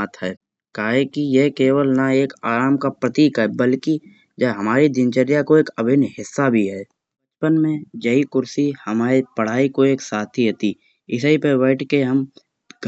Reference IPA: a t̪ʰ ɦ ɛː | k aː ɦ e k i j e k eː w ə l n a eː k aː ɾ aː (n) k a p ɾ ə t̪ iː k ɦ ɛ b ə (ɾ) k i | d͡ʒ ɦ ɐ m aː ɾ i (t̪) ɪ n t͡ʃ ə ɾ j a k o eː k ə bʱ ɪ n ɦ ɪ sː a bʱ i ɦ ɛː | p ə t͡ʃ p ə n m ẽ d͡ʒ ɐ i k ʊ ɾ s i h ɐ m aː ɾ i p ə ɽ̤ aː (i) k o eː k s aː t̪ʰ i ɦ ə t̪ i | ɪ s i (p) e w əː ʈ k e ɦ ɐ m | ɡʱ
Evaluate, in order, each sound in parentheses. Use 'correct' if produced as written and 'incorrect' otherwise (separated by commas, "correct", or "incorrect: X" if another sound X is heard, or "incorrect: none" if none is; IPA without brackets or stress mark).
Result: incorrect: m, incorrect: l, incorrect: d̪, correct, correct